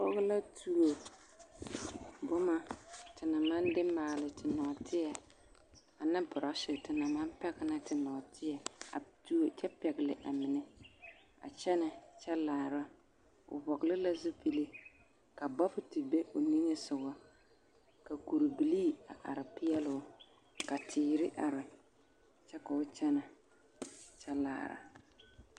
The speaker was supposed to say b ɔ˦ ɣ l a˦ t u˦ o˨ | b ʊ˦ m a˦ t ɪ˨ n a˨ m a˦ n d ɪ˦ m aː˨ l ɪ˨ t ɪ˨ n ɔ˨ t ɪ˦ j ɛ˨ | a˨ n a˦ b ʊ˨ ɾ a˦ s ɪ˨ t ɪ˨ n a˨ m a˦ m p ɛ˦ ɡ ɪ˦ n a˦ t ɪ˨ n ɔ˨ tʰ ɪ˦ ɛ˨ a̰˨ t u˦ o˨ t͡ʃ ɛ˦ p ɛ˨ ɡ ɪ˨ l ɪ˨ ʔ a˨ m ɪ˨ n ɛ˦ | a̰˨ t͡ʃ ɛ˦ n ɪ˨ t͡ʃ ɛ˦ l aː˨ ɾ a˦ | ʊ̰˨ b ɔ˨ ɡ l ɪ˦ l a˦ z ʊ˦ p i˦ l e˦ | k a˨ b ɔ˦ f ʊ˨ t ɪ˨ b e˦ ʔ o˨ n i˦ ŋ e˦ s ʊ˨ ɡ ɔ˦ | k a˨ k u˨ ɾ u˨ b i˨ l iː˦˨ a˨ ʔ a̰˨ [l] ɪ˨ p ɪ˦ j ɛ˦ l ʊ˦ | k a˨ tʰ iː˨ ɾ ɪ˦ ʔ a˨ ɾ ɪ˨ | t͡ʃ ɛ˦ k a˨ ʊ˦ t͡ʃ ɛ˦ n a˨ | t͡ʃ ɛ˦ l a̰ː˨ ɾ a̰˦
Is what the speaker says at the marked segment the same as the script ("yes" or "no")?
no